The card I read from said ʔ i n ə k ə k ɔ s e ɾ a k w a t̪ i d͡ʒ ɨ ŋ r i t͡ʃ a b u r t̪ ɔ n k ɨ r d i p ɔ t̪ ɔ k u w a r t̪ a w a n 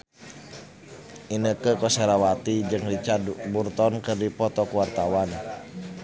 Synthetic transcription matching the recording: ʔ i n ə k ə k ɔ s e ɾ a w a t̪ i d͡ʒ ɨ ŋ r i t͡ʃ a b u r t̪ ɔ n k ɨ r d i p ɔ t̪ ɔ k u w a r t̪ a w a n

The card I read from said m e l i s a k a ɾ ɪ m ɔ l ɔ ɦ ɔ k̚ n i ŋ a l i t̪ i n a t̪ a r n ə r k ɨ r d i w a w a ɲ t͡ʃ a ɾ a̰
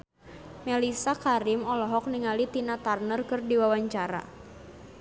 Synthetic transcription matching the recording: m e l i s a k a ɾ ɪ m ɔ l ɔ ɦ ɔ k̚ n i ŋ a l i t̪ i n a t̪ a r n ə r k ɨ r d i w a w a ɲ t͡ʃ a ɾ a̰

